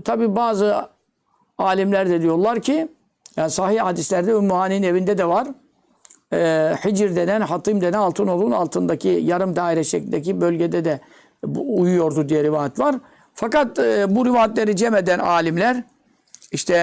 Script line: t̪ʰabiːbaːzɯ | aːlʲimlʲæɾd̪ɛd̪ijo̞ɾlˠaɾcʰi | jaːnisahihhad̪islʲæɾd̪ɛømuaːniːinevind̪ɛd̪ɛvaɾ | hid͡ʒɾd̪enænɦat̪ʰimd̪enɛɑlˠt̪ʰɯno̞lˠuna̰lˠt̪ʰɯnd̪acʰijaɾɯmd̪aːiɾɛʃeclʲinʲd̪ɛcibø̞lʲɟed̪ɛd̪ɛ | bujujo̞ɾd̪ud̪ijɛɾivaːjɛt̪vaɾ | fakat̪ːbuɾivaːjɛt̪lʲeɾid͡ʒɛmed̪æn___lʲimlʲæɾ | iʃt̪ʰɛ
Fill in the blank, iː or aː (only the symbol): aː